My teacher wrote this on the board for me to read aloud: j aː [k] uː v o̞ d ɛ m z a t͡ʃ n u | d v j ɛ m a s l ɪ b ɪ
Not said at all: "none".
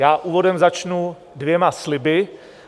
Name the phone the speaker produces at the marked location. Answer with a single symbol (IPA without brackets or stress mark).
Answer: ʔ